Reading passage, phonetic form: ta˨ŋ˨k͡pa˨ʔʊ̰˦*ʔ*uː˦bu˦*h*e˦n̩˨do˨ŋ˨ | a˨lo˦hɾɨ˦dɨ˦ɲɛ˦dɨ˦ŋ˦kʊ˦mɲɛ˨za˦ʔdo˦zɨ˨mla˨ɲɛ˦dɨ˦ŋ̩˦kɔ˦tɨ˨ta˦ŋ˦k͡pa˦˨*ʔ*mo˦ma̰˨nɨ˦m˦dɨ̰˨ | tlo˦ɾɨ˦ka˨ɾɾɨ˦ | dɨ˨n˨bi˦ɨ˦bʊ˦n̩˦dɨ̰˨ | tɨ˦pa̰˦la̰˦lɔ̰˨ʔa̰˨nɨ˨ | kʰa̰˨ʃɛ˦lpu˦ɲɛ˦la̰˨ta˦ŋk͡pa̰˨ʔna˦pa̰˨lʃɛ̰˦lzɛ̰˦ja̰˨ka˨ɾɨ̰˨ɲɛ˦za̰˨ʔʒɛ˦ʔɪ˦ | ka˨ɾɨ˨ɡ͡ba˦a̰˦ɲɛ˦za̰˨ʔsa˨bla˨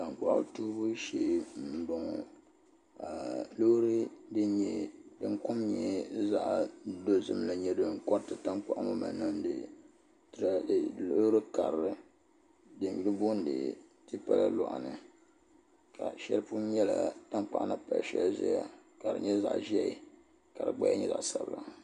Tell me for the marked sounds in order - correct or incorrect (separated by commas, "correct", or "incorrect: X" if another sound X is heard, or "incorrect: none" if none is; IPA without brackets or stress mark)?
incorrect: t, incorrect: ʃ, correct